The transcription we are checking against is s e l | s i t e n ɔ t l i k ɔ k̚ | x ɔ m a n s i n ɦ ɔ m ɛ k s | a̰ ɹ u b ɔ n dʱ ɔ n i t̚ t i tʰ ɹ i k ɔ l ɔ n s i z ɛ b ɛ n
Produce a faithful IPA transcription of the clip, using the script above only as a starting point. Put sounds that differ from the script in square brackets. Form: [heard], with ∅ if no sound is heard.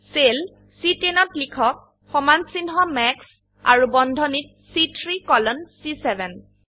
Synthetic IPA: s e l | s i t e n ɔ t l i [kʰ] ɔ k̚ | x ɔ m a n s i n ɦ ɔ m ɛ k s | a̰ ɹ u b ɔ n dʱ ɔ n i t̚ [s] i tʰ ɹ i k ɔ l ɔ n s i [s] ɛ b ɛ n